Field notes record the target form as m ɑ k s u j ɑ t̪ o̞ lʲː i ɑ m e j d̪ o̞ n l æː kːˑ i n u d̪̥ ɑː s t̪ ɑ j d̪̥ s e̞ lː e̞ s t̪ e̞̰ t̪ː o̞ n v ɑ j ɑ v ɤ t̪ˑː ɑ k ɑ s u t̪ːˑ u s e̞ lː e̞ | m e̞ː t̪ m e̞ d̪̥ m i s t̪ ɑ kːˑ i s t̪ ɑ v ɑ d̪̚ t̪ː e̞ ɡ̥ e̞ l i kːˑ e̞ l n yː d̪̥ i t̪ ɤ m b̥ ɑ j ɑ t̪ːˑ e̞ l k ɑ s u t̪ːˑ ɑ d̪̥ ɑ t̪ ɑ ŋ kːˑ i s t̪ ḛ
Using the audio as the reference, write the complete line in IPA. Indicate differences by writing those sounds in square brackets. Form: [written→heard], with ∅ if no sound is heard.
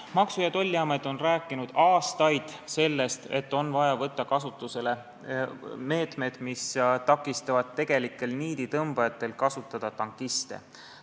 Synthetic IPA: m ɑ k s u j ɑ t̪ o̞ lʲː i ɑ m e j d̪ o̞ n [l→r] æː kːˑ i n u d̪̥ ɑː s t̪ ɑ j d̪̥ s e̞ lː e̞ s t̪ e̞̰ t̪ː o̞ n v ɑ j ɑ v ɤ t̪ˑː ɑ k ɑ s u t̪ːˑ u s e̞ [lː→l] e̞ | m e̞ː t̪ m e̞ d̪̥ m i s t̪ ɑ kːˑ i s t̪ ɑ v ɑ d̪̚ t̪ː e̞ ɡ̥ e̞ l i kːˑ e̞ l n [yː→iː] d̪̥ i t̪ ɤ m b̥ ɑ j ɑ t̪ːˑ e̞ l k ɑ s u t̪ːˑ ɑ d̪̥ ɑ t̪ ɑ ŋ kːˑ i s t̪ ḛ